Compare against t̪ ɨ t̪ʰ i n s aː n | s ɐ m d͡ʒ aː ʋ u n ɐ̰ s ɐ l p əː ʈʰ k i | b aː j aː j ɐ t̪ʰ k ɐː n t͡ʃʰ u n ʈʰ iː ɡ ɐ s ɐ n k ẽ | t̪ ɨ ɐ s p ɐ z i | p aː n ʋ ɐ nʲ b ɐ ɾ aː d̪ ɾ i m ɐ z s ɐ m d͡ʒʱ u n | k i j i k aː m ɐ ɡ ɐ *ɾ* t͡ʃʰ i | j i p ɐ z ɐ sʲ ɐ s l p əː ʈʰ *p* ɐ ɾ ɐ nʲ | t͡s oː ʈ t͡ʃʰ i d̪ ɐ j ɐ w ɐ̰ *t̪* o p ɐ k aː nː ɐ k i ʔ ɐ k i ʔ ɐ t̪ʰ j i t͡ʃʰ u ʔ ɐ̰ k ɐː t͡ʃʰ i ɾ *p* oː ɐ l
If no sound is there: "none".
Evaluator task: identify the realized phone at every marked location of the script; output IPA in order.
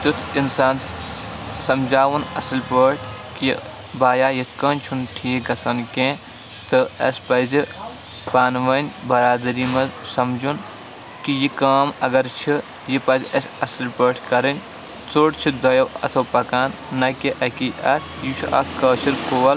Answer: ɾ, k, t̪ʰ, k

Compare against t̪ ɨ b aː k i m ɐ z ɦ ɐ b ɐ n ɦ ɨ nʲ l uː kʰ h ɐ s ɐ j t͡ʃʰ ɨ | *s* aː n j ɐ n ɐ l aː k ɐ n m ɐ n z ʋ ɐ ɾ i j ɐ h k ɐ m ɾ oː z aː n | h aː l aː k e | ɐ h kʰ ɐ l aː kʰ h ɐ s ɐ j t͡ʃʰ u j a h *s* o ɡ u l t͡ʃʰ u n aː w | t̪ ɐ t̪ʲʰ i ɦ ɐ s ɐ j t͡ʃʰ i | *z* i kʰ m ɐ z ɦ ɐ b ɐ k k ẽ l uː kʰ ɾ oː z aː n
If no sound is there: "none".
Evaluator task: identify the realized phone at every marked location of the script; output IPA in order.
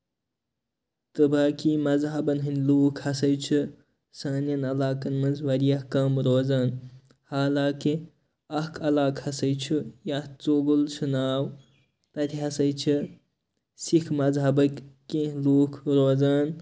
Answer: s, t͡s, s

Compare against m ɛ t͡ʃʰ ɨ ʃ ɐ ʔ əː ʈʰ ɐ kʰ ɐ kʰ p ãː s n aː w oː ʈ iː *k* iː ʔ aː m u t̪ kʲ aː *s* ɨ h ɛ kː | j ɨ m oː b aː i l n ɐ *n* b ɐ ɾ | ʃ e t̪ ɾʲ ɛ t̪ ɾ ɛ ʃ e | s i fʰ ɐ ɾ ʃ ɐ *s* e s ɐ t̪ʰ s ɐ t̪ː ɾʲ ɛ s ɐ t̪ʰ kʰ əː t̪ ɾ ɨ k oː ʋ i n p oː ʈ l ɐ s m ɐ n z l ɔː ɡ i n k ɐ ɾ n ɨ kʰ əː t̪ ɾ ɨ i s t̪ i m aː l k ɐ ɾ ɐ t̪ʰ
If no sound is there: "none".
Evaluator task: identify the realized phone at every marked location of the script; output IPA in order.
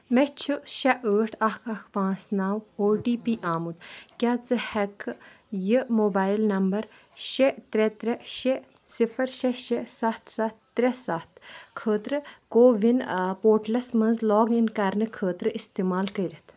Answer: p, t͡s, m, ʃ

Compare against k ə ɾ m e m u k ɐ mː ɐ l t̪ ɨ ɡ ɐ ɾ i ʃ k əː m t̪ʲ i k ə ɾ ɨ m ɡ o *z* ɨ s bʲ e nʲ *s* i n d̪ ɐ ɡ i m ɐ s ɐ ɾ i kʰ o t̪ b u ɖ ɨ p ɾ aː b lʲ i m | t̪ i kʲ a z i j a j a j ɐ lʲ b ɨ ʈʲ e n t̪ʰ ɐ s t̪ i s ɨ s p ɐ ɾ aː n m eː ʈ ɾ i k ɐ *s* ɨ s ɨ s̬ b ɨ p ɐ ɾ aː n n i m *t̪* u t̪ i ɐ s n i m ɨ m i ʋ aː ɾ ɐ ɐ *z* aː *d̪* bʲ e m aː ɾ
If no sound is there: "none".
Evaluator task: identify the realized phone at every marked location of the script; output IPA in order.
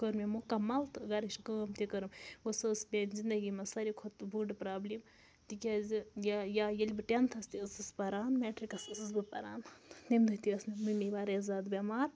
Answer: s, z, s, d̪, z, d̪

